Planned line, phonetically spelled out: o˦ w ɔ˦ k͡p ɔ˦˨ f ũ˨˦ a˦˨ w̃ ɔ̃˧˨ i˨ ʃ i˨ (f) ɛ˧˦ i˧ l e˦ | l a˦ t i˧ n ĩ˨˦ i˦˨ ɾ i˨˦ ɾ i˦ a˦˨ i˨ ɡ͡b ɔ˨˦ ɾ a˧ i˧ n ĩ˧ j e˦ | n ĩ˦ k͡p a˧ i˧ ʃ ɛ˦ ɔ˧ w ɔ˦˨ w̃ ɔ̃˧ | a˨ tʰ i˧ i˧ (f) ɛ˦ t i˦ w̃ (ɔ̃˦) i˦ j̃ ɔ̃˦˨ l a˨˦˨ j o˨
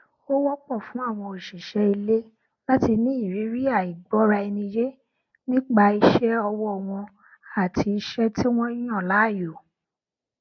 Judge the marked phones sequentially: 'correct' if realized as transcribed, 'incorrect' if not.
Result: incorrect, incorrect, correct

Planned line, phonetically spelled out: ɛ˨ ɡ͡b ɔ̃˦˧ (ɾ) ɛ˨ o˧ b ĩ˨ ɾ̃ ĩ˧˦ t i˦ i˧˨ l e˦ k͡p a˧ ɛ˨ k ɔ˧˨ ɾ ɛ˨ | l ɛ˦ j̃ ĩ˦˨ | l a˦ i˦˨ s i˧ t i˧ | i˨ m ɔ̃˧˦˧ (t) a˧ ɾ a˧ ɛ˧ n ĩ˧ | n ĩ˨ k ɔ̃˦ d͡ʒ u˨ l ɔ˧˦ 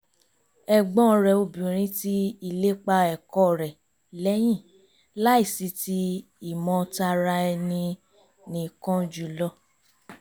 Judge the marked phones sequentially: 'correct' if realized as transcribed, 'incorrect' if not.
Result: correct, correct

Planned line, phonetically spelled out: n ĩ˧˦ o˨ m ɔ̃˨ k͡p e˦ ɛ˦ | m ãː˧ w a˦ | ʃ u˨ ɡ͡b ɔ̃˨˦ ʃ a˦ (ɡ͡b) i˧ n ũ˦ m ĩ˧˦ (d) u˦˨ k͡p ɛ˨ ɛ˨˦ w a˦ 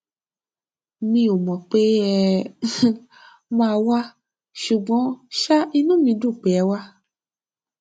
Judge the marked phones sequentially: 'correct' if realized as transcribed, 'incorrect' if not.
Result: incorrect, correct

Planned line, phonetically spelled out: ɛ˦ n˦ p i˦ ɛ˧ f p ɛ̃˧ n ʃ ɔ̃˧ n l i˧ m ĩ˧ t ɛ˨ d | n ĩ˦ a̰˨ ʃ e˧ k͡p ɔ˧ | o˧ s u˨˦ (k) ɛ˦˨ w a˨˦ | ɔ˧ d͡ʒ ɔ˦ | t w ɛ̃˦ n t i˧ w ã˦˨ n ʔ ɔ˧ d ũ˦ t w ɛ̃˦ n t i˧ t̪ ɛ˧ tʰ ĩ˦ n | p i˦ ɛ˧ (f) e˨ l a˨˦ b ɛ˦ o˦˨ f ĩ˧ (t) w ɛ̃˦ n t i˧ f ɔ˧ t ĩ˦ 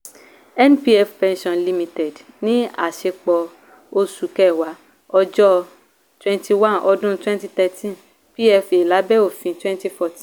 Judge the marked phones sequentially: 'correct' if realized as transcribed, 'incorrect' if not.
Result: correct, correct, correct

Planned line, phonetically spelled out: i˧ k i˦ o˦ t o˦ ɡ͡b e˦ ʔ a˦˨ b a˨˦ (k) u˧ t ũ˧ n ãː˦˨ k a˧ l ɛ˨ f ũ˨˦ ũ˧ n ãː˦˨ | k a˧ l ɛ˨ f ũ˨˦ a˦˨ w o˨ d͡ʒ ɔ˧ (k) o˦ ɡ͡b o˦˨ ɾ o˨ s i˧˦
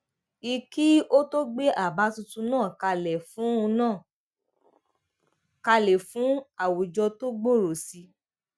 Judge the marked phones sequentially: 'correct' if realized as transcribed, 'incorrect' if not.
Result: incorrect, incorrect

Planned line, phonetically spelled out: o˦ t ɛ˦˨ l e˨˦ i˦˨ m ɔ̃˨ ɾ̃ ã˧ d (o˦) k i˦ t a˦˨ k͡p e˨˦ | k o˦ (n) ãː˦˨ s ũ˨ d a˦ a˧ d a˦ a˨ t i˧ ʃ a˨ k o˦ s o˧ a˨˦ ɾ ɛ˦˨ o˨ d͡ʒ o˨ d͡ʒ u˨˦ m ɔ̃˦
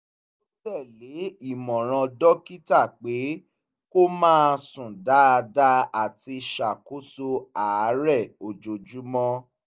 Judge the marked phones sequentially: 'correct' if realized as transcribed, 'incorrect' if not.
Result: incorrect, incorrect

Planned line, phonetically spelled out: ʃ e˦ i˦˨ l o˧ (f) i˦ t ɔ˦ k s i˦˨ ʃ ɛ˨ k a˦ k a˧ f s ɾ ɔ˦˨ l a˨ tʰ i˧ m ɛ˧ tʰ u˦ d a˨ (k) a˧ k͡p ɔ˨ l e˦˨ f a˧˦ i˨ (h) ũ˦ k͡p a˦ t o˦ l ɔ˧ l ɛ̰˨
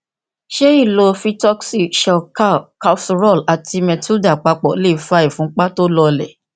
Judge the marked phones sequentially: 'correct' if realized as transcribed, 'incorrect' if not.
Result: correct, incorrect, incorrect

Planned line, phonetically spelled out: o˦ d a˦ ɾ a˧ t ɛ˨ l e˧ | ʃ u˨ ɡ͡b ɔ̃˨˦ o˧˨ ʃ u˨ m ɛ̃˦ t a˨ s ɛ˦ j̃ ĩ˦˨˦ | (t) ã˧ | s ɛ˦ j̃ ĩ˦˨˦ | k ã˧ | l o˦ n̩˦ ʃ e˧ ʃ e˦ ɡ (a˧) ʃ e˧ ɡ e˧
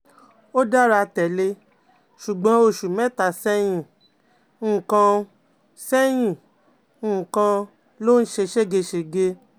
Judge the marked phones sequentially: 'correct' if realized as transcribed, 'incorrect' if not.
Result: incorrect, incorrect

